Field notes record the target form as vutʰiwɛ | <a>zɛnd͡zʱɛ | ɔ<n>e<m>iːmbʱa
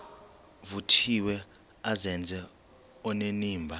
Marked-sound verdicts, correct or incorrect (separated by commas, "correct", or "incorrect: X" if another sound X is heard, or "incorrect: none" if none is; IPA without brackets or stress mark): correct, correct, incorrect: n